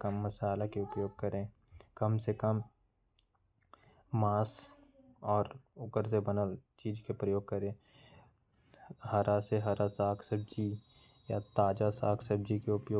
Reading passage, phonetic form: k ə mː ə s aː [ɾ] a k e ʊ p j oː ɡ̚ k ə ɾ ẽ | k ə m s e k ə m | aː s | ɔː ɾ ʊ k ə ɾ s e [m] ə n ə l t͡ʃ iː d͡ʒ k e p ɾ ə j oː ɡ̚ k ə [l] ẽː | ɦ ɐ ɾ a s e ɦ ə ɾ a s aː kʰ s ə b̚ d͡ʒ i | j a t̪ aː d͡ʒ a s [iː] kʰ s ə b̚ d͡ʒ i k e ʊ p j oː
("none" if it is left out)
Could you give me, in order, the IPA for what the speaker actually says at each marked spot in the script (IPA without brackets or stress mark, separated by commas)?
l, b, ɾ, aː